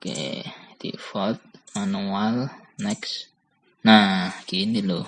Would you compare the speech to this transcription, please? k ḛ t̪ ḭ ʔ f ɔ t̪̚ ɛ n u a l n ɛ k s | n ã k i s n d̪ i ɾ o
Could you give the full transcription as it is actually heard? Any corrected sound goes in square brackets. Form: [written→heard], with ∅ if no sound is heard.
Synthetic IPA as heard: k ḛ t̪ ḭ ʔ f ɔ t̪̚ [ɛ→a] n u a l n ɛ k s | n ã k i [s→∅] n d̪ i [ɾ→l] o